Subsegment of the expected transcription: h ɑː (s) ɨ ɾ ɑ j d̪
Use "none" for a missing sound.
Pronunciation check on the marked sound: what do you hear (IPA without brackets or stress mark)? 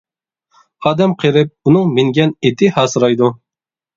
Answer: s